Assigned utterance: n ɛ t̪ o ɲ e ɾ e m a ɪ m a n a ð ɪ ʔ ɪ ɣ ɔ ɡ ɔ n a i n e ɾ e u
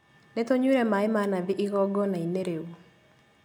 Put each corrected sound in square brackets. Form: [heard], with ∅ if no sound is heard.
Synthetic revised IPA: n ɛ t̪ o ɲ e ɾ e m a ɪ m a n a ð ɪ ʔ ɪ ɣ ɔ ɡ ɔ n a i n e ɾ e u